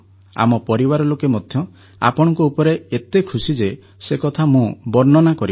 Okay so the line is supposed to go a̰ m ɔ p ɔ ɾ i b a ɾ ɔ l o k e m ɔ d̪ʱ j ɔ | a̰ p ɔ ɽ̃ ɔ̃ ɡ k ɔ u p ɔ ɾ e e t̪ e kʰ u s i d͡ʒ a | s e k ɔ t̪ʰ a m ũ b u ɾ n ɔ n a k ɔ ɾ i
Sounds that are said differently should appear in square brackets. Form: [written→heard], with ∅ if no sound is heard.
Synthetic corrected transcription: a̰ m ɔ p ɔ ɾ i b a ɾ ɔ l o k e m ɔ d̪ʱ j ɔ | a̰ p ɔ ɽ̃ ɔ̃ [ɡ→ŋ] k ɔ u p ɔ ɾ e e t̪ e kʰ u s i d͡ʒ [a→e] | s e k ɔ t̪ʰ a m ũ b [u→ɔ] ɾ n ɔ n a k ɔ ɾ i